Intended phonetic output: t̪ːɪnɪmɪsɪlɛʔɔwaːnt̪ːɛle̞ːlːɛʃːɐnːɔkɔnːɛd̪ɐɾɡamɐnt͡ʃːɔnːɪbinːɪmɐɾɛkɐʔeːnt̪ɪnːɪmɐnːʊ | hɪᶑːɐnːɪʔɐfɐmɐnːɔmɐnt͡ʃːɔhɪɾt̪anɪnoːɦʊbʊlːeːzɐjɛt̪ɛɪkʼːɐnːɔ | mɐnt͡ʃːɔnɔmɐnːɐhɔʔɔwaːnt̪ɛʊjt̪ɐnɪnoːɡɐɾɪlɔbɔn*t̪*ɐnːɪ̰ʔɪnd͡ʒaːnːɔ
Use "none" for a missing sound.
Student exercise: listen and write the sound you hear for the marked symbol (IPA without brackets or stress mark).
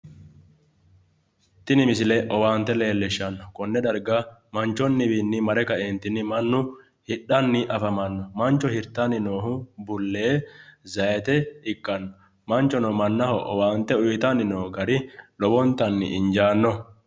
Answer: t̪